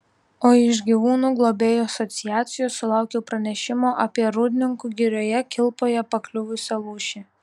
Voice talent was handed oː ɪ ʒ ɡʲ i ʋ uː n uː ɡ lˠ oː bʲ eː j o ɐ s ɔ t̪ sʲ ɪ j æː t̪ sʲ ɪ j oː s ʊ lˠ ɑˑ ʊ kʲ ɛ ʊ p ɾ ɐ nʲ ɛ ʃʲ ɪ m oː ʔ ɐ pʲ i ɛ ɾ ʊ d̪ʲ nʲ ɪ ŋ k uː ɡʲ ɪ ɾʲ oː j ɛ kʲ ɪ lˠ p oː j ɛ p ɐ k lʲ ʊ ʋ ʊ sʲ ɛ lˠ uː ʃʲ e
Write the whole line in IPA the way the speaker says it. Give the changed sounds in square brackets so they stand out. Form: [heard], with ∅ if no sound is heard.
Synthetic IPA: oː ɪ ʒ ɡʲ i ʋ uː n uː ɡ lˠ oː bʲ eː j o ɐ s ɔ t̪ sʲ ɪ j æː t̪ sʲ ɪ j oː s ʊ lˠ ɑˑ ʊ kʲ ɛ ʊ p ɾ ɐ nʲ ɛ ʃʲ ɪ m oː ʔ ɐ pʲ i ɛ ɾ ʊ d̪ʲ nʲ ɪ ŋ k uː ɡʲ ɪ ɾʲ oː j ɛ kʲ ɪ lˠ p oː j ɛ p ɐ k lʲ ʊ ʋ ʊ sʲ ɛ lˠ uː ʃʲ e